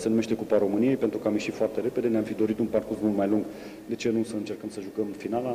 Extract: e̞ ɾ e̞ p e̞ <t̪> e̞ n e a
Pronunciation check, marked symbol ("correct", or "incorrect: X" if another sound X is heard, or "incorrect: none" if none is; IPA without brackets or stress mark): incorrect: d̪